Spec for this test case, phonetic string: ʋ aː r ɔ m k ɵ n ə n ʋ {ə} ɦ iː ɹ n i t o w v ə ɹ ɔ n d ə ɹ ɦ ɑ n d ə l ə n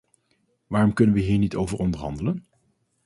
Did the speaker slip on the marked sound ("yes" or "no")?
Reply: no